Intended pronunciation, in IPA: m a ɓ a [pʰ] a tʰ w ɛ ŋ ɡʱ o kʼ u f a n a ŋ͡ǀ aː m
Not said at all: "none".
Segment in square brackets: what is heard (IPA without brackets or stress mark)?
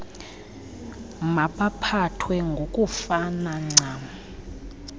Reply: pʰ